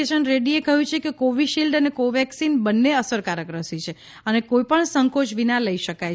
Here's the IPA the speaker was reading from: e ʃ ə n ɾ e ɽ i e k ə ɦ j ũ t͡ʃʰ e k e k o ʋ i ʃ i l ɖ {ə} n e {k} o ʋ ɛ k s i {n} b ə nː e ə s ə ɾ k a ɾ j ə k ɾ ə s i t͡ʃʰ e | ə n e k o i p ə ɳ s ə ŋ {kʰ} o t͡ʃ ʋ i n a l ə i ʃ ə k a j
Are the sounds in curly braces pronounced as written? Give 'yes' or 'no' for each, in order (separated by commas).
yes, yes, yes, no